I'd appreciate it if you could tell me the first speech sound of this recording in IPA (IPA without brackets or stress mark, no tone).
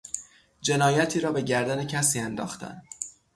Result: d͡ʒ